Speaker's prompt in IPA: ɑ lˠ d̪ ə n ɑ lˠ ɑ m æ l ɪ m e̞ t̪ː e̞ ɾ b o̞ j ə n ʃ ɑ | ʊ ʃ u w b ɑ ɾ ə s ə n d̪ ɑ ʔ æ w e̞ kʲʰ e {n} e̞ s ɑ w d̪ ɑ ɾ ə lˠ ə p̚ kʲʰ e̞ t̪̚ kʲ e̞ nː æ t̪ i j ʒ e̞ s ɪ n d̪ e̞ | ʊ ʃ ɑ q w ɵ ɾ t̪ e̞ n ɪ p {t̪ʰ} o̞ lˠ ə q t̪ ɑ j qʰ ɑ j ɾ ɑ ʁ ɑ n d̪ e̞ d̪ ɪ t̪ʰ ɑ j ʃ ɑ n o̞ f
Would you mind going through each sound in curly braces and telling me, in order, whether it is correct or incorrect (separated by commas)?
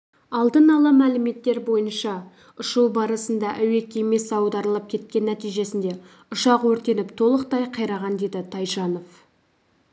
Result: incorrect, correct